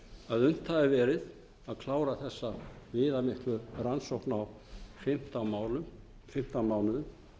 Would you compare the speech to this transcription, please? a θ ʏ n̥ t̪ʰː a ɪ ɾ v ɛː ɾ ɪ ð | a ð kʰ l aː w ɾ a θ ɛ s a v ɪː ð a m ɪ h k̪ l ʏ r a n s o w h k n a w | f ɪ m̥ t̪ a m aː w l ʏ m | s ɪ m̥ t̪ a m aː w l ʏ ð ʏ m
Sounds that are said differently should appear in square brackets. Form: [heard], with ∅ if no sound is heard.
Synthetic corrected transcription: a [ð] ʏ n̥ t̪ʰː a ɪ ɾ v ɛː ɾ ɪ ð | a ð kʰ l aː w ɾ a θ ɛ [sː] a v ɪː ð a m ɪ h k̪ l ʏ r a n s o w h k n a w | f ɪ m̥ t̪ a m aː w l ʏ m | [f] ɪ m̥ t̪ a m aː w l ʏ ð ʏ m